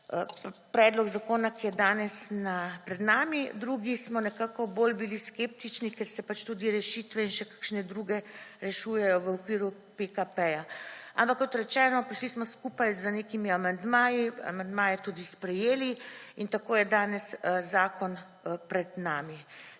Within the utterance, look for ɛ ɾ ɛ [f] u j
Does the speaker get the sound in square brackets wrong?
yes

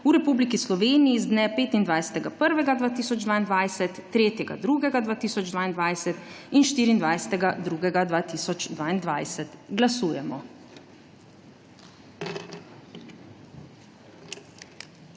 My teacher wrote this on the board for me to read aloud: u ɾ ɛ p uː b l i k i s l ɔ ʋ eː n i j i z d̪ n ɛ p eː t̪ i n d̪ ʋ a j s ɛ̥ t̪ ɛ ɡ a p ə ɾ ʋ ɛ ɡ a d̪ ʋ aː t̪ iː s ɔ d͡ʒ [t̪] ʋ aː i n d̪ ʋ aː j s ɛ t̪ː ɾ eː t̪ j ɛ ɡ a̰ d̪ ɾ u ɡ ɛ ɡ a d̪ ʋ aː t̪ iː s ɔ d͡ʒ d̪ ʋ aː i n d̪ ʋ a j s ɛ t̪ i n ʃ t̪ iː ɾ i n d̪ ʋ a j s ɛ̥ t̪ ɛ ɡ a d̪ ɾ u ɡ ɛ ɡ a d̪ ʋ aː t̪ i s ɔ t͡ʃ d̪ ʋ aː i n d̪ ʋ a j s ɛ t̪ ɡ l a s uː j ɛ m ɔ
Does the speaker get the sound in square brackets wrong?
yes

